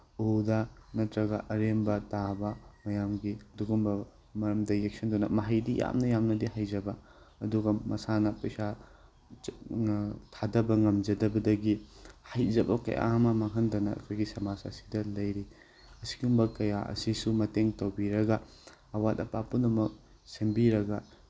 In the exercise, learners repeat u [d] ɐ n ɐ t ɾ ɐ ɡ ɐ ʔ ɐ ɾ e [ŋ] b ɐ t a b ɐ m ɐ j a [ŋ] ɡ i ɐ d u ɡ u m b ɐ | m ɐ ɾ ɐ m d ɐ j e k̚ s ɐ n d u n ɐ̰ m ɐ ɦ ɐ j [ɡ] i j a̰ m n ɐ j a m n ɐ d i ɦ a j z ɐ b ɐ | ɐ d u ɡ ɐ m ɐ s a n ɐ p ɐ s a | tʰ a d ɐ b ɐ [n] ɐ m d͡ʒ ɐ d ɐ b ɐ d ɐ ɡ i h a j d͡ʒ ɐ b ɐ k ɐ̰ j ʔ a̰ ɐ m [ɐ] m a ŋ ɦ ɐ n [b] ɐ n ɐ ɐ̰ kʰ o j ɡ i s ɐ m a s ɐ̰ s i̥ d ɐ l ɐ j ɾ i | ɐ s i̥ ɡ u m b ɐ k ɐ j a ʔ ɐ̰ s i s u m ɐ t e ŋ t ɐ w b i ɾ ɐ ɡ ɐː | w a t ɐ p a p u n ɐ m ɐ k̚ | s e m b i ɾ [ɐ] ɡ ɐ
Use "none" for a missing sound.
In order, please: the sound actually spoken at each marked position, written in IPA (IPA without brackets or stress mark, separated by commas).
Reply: d, m, m, d, ŋ, ɐ, d, ɐ